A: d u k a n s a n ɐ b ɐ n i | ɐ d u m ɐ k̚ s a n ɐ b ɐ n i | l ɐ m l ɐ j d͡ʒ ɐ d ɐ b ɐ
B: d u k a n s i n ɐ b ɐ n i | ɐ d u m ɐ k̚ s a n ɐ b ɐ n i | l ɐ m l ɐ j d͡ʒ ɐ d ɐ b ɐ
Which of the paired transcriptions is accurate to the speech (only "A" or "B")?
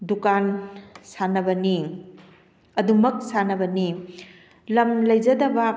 A